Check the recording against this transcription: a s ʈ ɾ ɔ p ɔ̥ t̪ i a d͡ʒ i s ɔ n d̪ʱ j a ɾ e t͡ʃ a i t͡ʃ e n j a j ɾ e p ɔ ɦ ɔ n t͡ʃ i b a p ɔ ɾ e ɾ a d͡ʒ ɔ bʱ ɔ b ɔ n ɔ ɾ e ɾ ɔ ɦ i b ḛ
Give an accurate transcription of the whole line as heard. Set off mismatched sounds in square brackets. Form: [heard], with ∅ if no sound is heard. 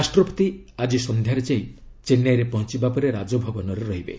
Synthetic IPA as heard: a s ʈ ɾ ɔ p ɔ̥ t̪ i a d͡ʒ i s ɔ n d̪ʱ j a ɾ e t͡ʃ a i t͡ʃ e n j a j ɾ e p ɔ ɦ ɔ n t͡ʃ i b a p ɔ ɾ e ɾ a d͡ʒ ɔ bʱ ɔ b ɔ n ɔ ɾ e ɾ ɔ ɦ i b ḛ